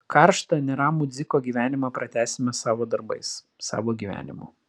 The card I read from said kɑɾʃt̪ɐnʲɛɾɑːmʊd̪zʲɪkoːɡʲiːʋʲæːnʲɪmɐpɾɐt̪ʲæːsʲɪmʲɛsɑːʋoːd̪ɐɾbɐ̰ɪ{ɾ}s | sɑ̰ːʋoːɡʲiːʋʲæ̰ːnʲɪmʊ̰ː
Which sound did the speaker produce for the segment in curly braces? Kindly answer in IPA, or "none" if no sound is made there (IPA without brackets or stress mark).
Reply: none